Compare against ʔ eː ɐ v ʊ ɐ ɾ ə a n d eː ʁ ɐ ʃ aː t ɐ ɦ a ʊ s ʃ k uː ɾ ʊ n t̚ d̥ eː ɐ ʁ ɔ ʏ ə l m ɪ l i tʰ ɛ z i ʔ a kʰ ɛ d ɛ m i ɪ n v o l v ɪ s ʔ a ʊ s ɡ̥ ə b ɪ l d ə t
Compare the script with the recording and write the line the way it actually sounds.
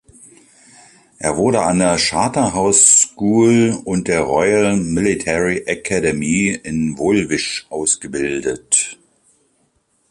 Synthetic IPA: ʔ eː ɐ v ʊ ɐ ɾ ə a n d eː ɐ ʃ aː t ɐ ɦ a ʊ s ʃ k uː l ʊ n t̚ d̥ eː ɐ ʁ ɔ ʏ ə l m ɪ l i tʰ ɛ ʁ i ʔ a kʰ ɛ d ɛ m i ɪ n v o l v ɪ ʃ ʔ a ʊ s ɡ̥ ə b ɪ l d ə t